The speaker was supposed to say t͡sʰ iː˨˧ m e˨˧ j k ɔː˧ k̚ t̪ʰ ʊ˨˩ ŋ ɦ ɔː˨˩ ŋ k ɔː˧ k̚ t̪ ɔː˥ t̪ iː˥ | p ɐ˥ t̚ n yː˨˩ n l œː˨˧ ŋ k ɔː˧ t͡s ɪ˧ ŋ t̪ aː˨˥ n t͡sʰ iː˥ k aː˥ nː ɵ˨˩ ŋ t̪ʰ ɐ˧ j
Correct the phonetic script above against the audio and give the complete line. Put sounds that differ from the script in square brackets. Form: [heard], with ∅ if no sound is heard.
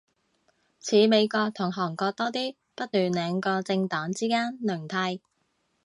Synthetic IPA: t͡sʰ iː˨˧ m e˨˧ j k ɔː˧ k̚ t̪ʰ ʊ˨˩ ŋ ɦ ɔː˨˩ ŋ k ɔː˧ k̚ t̪ ɔː˥ t̪ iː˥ | p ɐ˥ t̚ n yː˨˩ n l [ɛː˨˧] ŋ k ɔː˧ t͡s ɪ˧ ŋ t̪ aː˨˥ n [t͡s] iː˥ k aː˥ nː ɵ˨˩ ŋ t̪ʰ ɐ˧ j